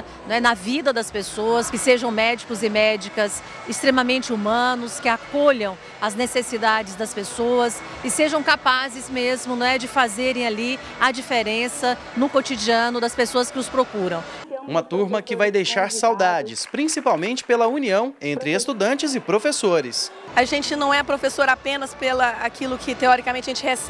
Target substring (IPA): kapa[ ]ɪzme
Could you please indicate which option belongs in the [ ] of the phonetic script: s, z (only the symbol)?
z